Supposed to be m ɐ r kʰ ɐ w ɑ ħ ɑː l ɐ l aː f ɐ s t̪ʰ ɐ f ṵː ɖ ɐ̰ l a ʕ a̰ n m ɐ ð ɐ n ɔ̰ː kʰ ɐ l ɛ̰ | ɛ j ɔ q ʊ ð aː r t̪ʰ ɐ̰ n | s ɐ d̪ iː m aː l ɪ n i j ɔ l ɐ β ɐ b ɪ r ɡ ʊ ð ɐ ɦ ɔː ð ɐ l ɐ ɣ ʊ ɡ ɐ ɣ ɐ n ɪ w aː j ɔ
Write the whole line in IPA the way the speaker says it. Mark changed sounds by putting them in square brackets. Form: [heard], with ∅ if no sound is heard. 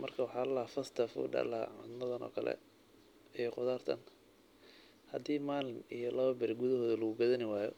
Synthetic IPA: m ɐ r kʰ ɐ w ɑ ħ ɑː l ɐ l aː f ɐ s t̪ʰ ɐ f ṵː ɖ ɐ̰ l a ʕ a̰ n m ɐ ð ɐ n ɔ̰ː kʰ ɐ l ɛ̰ | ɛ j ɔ q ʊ ð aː r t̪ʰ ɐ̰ n | [h] ɐ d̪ iː m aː l ɪ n i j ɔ l ɐ β ɐ b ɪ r ɡ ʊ ð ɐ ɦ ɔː ð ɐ l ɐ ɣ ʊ ɡ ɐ [ð] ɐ n ɪ w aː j ɔ